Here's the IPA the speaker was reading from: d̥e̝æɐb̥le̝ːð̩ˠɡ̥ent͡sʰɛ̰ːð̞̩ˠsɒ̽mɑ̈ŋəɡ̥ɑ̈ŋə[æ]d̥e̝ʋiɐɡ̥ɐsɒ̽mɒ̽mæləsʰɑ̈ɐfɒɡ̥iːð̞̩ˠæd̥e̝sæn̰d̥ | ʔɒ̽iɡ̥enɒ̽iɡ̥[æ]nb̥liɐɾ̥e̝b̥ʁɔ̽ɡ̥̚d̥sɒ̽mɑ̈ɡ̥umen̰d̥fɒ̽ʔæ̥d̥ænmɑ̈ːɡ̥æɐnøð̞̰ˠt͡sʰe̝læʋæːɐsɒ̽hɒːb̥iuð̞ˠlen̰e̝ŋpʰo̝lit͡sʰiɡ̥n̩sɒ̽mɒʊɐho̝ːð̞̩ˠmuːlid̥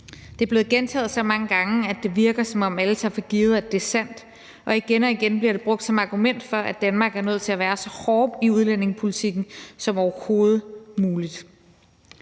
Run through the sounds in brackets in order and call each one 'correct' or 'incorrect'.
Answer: correct, incorrect

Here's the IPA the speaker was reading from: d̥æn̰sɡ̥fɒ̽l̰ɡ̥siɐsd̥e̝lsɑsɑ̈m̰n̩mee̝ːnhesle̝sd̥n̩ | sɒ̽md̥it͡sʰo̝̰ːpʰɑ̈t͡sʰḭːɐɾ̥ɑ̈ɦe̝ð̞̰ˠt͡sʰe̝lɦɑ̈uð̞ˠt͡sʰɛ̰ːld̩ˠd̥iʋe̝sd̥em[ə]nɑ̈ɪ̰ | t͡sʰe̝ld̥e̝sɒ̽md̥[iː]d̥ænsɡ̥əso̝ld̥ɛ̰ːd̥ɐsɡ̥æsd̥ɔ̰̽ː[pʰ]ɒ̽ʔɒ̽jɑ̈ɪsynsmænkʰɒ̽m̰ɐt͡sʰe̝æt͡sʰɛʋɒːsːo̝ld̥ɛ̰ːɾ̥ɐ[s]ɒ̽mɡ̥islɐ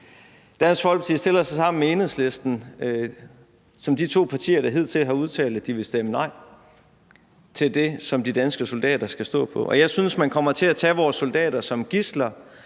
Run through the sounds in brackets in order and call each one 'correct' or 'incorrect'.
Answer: correct, incorrect, correct, correct

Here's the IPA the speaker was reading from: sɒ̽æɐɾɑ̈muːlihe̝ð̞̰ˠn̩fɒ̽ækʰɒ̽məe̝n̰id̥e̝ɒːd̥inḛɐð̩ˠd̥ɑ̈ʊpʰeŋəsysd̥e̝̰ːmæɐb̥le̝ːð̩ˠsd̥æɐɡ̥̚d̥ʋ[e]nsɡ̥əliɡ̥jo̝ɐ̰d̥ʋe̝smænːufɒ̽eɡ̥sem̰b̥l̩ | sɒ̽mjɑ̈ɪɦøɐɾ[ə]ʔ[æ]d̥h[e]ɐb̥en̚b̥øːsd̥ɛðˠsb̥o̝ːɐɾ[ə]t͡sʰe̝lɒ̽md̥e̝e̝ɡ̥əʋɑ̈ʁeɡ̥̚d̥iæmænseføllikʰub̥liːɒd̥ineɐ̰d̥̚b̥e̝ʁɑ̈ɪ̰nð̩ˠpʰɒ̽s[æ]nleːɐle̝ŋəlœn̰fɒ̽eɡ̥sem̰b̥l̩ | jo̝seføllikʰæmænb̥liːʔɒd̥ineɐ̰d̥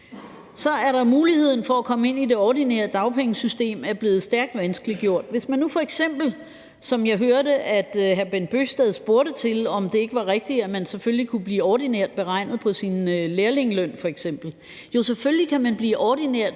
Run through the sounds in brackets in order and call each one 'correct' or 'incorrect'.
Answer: incorrect, correct, correct, incorrect, correct, incorrect

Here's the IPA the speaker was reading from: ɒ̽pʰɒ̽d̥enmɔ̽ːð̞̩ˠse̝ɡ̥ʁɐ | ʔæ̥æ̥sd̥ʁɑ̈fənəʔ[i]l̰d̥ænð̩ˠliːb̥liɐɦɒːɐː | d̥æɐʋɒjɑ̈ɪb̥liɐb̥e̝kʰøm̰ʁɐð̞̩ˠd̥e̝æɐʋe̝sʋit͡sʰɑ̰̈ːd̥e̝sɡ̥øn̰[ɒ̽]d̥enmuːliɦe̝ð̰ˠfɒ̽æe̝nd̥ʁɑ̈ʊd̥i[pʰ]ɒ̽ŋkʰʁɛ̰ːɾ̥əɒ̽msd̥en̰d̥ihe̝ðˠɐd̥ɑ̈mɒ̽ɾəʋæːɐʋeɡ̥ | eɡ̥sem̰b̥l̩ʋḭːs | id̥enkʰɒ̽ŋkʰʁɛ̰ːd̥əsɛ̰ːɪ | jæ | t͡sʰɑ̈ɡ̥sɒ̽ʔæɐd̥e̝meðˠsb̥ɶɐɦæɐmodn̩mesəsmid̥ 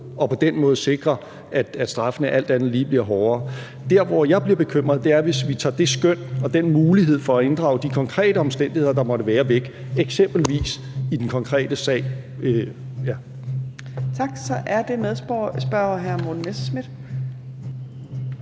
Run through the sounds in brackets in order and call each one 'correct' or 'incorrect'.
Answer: incorrect, correct, incorrect

